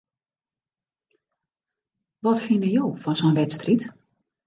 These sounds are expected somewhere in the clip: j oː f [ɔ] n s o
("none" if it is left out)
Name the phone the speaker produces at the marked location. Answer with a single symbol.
ɔ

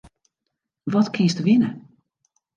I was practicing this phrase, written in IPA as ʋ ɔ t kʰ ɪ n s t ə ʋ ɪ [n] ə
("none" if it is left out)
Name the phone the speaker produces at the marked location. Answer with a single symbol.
n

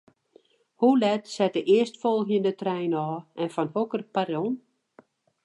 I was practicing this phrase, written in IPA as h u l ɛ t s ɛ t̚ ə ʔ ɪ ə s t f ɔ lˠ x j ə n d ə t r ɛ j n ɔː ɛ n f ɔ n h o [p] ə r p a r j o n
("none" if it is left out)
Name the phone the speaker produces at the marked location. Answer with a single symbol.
k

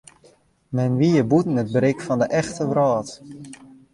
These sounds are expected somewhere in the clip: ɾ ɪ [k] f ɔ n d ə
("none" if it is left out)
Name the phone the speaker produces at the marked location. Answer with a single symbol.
k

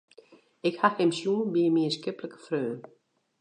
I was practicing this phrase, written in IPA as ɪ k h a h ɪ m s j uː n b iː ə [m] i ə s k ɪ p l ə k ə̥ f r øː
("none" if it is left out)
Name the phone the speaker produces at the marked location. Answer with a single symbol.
m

